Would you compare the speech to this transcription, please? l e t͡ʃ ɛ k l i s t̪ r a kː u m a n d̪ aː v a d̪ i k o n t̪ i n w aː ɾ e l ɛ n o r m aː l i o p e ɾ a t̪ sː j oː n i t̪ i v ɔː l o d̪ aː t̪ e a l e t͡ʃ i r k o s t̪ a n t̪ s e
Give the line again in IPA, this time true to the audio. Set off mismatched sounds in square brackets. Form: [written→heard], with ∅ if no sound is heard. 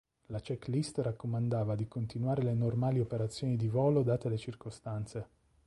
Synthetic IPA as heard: l [e→a] t͡ʃ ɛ k l i s t̪ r a kː [u→o] m a n d̪ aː v a d̪ i k o n t̪ i n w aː ɾ e l [ɛ→e] n o r m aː l i o p e ɾ a t̪ sː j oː n i [t̪→d̪] i v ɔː l o d̪ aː t̪ e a l e t͡ʃ i r k o s t̪ a n t̪ s e